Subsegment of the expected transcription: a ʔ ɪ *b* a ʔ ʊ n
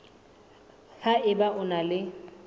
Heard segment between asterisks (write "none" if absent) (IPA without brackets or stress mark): b